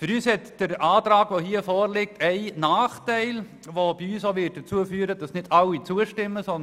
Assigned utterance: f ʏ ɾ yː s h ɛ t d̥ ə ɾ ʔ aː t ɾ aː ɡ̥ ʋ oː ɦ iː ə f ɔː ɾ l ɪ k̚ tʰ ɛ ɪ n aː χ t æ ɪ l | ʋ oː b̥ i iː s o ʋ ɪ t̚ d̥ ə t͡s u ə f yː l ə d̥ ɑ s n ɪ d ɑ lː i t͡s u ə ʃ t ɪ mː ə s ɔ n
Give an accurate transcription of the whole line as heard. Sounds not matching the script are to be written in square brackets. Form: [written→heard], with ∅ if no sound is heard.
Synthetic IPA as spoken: f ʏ ɾ yː s h ɛ t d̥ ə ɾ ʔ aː t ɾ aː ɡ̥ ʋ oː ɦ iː ə f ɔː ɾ l ɪ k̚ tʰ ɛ ɪ n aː χ t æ ɪ l | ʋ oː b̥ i [iː→yː] s o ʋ ɪ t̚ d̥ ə t͡s u ə f yː [l→ɾ] ə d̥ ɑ s n ɪ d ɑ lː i t͡s u ə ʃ t ɪ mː ə s ɔ n